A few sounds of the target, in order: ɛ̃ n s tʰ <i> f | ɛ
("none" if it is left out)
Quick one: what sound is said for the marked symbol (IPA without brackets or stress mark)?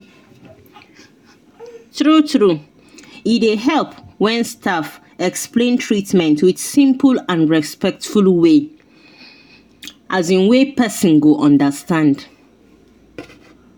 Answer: a